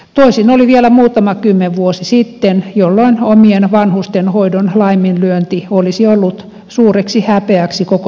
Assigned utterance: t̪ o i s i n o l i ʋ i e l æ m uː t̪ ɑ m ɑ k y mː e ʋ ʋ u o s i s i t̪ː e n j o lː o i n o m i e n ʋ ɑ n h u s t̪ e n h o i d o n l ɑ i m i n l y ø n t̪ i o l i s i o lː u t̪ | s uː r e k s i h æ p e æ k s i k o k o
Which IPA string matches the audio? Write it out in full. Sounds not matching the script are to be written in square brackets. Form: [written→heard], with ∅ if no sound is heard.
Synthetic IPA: t̪ o i s i n o l i ʋ i e l æ m uː t̪ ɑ m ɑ k y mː e ʋ ʋ u o s i s i t̪ː e n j o lː o i n o m i e n ʋ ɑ n h u s t̪ e n h o i d o n l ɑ i m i n l y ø n t̪ i o l i s i o lː u t̪ | s uː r e k s i h æ p e æ k s i k o k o